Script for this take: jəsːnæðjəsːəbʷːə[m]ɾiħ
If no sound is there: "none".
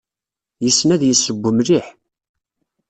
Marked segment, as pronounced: m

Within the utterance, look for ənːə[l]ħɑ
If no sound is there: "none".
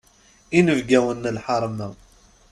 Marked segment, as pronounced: l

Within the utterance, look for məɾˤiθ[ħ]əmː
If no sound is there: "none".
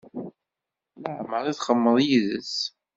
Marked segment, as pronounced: χ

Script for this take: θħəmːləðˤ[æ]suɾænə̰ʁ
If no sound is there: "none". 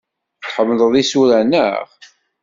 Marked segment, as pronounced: i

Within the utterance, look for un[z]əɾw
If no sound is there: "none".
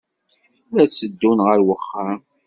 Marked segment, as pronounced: ʁ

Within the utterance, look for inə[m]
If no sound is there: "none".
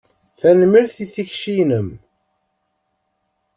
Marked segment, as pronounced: m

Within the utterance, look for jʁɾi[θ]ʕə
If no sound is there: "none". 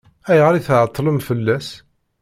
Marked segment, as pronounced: θ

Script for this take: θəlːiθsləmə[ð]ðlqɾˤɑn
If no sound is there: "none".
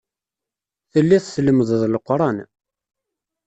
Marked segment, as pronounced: ð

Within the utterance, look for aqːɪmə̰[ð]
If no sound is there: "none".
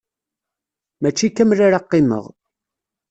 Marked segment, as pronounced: ʁ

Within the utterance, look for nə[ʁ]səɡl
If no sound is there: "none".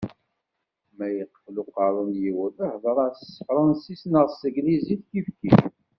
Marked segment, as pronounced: ʁ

